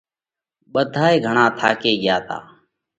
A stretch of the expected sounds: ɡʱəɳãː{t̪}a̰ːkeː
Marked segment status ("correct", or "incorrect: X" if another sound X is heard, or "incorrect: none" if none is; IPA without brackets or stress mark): incorrect: t̪ʰ